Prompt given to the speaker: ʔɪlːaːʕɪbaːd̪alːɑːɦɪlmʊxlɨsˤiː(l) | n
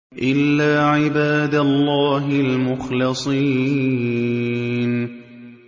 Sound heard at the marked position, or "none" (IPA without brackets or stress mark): none